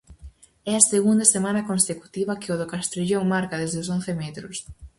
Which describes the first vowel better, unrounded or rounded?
unrounded